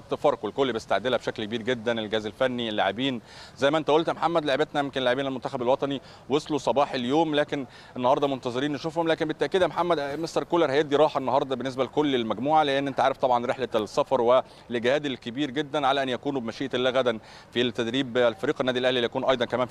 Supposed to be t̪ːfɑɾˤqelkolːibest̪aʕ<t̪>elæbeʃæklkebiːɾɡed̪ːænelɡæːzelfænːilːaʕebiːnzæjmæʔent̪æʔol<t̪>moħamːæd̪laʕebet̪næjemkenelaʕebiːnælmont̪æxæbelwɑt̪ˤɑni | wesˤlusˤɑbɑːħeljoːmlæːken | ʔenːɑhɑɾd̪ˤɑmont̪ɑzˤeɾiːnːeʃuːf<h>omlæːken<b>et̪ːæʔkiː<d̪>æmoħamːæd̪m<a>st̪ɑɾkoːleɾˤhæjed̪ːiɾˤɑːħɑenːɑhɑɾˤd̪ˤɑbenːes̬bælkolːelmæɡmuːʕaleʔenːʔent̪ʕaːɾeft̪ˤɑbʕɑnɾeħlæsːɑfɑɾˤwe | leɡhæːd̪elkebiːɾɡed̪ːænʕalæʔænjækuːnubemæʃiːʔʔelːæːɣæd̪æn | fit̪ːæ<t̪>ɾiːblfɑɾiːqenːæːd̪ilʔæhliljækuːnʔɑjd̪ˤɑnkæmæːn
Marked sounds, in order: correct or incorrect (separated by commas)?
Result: incorrect, correct, correct, correct, correct, incorrect, incorrect